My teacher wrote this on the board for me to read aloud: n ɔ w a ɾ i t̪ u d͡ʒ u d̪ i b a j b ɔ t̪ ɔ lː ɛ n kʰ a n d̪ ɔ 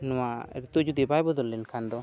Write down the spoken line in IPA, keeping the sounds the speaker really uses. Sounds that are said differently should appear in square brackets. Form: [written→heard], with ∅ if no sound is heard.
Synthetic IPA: n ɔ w a ɾ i t̪ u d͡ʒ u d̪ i b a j b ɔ [t̪→d̪] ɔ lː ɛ n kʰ a n d̪ ɔ